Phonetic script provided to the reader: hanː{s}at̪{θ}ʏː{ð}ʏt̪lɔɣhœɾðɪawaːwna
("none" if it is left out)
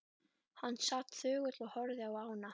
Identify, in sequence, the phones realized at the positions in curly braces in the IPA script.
s, θ, ɣ

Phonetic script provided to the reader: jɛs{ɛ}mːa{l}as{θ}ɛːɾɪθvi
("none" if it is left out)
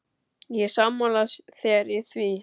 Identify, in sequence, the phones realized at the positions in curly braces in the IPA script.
a, l, θ

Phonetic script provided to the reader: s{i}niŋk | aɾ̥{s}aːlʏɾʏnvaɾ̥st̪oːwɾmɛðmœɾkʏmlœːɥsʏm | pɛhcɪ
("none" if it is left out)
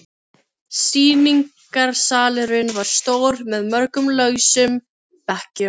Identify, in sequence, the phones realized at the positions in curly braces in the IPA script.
iː, s

